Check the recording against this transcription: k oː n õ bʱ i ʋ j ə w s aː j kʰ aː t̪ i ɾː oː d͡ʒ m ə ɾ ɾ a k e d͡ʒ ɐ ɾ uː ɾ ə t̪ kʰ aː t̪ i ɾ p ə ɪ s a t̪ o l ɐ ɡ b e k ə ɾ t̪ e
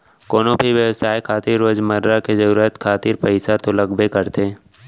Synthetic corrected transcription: k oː n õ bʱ i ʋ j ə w s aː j kʰ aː t̪ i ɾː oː d͡ʒ m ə ɾ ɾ a k e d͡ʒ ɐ ɾ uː ɾ ə t̪ kʰ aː t̪ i ɾ p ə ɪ s a t̪ o l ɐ ɡ b e k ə ɾ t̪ e